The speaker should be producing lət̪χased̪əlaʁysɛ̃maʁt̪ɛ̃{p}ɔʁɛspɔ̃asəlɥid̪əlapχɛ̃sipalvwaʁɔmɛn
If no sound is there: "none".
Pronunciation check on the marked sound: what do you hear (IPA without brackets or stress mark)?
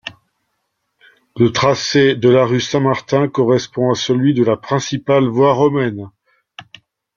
k